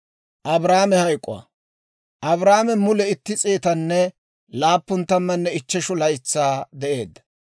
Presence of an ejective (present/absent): present